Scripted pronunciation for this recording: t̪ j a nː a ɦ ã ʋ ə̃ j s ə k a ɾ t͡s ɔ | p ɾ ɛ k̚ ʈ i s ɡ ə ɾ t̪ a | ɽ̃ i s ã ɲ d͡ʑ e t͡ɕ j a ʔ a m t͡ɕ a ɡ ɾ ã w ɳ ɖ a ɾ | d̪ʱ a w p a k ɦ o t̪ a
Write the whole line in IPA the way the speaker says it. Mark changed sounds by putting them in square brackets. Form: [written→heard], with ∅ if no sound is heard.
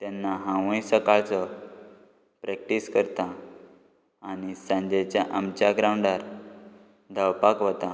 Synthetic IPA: t̪ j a nː a ɦ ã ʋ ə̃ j s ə k a [ɾ→ɭ] t͡s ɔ | p ɾ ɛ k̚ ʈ i s [ɡ→k] ə ɾ t̪ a | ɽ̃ i s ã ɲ d͡ʑ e t͡ɕ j a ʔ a m t͡ɕ a ɡ ɾ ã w ɳ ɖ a ɾ | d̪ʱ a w p a k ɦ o t̪ a